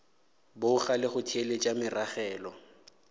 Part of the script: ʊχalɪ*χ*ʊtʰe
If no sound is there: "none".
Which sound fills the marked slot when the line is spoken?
χ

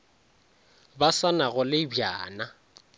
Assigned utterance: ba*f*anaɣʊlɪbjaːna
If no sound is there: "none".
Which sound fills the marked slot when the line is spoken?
s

